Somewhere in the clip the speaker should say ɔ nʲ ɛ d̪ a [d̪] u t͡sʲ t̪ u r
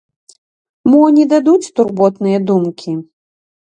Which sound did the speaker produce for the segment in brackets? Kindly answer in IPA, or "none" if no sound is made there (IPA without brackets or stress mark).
d̪